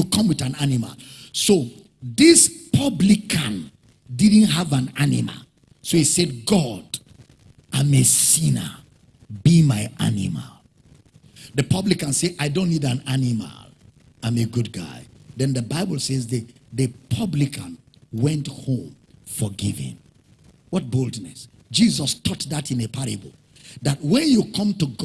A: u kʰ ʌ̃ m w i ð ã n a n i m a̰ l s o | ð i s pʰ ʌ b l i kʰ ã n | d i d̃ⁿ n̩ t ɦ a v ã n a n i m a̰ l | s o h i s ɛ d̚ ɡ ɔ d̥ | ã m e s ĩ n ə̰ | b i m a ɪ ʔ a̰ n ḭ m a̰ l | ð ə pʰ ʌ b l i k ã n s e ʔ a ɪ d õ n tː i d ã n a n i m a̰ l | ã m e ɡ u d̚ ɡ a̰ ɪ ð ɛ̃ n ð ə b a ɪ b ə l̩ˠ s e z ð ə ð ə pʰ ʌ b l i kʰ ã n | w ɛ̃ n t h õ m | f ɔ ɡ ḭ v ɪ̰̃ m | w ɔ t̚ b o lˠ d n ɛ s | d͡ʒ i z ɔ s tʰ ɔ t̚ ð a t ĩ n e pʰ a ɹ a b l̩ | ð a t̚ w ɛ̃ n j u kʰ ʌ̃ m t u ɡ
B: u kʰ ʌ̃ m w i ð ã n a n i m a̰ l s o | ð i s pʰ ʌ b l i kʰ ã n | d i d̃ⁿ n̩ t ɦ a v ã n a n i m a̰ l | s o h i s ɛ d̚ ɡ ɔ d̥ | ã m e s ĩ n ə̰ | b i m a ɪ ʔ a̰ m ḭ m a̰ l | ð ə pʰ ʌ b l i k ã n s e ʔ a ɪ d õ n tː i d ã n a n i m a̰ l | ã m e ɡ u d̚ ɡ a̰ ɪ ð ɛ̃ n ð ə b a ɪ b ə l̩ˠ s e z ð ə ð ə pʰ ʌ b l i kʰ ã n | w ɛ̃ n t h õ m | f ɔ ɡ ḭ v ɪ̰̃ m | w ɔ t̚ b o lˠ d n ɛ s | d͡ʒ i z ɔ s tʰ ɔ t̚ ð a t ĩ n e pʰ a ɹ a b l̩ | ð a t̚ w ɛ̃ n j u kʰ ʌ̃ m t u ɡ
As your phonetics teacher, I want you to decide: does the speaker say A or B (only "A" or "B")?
A